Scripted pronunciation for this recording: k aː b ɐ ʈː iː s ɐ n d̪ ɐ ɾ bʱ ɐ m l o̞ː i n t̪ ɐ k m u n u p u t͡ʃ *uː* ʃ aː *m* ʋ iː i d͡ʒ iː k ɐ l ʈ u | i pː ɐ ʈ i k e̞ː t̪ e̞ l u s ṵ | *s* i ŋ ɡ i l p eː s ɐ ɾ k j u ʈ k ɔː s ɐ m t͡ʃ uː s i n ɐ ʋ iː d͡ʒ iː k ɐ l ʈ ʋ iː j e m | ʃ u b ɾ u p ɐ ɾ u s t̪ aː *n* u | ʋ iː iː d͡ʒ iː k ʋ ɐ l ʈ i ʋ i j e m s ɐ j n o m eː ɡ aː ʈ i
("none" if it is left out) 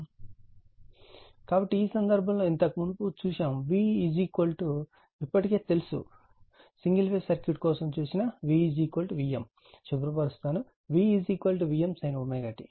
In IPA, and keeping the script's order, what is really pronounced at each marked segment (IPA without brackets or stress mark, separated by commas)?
uː, m, s, n